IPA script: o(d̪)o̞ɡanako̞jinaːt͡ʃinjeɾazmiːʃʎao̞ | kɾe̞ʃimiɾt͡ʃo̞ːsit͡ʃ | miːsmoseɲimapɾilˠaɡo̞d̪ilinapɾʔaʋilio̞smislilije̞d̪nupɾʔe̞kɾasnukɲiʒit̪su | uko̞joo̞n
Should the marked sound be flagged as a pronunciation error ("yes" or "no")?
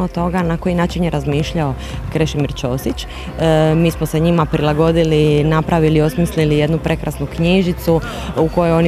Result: yes